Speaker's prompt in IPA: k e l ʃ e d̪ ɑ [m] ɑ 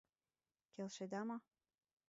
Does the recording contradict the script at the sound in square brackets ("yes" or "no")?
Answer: no